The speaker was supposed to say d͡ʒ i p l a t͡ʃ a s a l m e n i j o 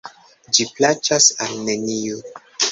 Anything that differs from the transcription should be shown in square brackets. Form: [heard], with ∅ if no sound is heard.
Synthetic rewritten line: d͡ʒ i p l a t͡ʃ a s a l [n] e n i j o